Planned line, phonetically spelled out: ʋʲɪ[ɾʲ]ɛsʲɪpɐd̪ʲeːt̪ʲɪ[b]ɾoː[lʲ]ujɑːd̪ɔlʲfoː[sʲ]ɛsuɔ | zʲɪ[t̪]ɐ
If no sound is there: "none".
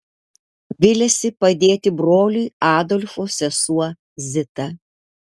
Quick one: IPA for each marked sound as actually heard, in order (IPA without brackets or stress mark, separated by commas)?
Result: lʲ, b, lʲ, sʲ, t̪